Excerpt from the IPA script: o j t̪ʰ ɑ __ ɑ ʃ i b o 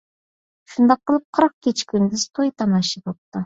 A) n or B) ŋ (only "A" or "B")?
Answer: A